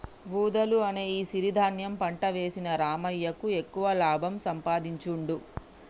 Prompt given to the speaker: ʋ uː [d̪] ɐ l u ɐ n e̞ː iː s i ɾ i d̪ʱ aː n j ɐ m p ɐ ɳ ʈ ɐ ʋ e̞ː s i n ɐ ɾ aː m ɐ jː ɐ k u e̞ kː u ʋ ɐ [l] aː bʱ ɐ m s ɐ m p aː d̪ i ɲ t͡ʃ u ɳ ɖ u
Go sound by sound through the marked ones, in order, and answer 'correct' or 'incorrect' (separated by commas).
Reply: correct, correct